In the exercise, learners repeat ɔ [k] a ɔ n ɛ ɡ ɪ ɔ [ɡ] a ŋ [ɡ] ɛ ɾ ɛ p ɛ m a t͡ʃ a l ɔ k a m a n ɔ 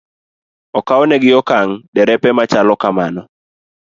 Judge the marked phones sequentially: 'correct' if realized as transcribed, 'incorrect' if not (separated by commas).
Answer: correct, incorrect, incorrect